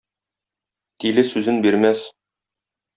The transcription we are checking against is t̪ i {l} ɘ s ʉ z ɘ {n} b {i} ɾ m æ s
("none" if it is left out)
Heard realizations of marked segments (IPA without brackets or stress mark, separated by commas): l, n, i